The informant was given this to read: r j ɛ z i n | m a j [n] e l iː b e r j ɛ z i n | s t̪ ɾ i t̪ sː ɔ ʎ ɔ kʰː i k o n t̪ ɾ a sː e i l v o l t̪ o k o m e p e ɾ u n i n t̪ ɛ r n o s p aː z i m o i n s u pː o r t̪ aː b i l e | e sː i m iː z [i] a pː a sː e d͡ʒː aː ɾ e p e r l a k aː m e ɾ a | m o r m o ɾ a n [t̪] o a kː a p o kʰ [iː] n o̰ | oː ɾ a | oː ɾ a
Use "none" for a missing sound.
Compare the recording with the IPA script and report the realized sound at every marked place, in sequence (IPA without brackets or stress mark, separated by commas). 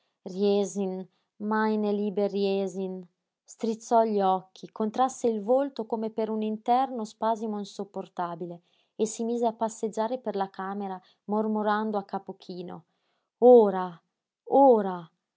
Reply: n, e, d̪, iː